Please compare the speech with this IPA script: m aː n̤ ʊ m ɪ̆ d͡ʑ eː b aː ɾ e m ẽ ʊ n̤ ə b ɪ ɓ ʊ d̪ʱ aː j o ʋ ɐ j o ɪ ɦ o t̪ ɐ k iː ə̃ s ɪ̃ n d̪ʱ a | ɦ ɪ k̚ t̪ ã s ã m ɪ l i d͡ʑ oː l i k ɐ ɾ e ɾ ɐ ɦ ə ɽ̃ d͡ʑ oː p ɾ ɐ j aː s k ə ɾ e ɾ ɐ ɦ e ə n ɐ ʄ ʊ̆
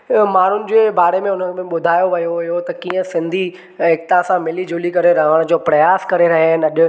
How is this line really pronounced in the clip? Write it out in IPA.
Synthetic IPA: m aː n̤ ʊ n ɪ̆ d͡ʑ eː b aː ɾ e m ẽ ʊ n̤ ə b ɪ ɓ ʊ d̪ʱ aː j o ʋ ɐ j o ɪ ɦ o t̪ ɐ k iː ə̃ s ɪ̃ n d̪ʱ i | ɦ ɪ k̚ t̪ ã s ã m ɪ l i d͡ʑ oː l i k ɐ ɾ e ɾ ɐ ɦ ə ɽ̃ d͡ʑ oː p ɾ ɐ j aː s k ɐ ɾ e ɾ ɐ ɦ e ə n ɐ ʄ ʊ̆